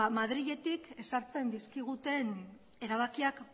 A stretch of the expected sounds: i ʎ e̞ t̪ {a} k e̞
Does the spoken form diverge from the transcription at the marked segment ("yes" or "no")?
yes